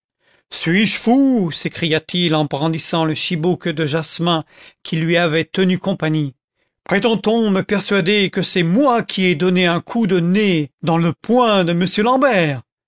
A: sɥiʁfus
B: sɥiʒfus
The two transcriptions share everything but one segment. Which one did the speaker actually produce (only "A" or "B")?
B